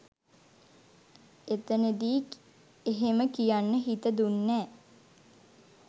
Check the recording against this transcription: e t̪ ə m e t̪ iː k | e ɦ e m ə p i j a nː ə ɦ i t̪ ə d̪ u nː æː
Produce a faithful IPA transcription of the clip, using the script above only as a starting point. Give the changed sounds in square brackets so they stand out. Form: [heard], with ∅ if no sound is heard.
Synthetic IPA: e t̪ ə [n] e [d̪] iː k | e ɦ e m ə [k] i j a nː ə ɦ i t̪ ə d̪ u nː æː